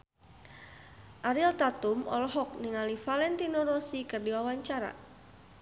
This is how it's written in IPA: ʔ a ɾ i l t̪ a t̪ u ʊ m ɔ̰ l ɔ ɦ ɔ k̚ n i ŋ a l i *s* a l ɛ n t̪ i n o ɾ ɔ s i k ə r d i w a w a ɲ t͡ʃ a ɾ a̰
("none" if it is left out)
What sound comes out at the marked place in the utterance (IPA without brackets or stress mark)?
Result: f